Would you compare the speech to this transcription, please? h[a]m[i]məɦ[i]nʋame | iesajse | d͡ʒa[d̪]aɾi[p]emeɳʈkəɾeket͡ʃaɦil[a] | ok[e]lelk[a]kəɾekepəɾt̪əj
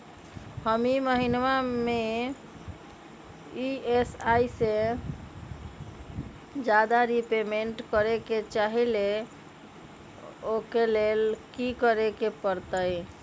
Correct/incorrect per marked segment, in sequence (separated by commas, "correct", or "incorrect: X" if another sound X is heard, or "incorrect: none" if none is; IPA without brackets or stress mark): incorrect: ə, correct, correct, correct, correct, incorrect: e, correct, incorrect: i